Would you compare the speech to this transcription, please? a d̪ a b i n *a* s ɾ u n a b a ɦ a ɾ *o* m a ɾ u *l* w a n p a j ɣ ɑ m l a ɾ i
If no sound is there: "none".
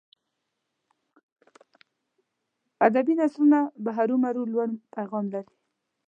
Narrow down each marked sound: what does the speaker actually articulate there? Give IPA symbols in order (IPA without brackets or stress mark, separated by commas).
a, u, l